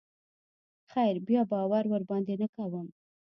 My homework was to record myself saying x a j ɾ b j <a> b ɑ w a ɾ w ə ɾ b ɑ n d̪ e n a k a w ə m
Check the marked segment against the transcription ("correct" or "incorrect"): incorrect